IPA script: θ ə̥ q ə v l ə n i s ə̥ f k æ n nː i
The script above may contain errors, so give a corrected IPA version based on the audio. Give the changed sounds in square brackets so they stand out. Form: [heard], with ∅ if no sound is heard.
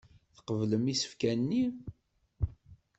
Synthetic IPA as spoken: θ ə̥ q ə v l ə [m] i s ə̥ f k æ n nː i